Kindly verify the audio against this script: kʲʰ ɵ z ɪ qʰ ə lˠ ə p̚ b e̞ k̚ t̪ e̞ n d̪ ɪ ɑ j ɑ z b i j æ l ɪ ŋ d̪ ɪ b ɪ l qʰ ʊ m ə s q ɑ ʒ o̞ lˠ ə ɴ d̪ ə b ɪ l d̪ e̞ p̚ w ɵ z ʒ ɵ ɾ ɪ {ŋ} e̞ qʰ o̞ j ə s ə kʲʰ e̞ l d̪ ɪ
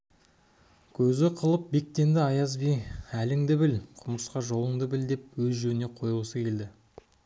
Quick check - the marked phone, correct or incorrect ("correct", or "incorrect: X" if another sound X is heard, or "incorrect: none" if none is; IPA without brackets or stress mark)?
incorrect: n